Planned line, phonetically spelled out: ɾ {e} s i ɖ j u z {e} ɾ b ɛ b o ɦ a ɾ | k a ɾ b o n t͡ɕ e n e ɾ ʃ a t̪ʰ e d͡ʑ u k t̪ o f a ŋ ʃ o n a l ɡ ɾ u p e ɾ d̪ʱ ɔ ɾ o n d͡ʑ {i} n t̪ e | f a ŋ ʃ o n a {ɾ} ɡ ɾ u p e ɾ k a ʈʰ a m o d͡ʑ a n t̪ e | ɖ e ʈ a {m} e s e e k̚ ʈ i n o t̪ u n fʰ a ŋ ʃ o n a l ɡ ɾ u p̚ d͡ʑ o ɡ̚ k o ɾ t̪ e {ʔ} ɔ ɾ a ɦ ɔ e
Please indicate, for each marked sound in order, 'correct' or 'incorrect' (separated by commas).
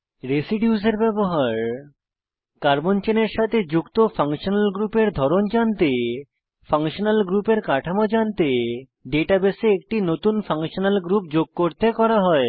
correct, correct, incorrect, incorrect, incorrect, incorrect